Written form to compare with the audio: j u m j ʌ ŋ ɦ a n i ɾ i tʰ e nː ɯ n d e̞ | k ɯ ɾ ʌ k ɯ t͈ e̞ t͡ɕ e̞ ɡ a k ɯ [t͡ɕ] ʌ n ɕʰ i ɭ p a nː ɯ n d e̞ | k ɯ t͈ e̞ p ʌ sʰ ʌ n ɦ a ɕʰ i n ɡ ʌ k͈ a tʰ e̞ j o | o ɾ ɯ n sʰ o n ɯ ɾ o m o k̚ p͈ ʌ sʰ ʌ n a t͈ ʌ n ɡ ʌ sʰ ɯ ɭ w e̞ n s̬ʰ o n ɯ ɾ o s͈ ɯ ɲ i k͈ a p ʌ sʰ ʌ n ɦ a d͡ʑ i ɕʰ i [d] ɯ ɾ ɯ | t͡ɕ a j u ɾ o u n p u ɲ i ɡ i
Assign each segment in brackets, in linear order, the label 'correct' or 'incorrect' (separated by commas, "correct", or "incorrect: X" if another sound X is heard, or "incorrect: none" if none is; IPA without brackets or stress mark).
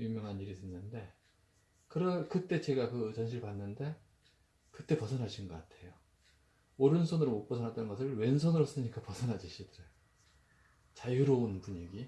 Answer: correct, correct